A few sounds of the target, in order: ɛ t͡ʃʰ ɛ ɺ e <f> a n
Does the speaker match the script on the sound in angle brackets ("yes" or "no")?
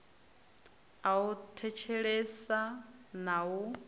no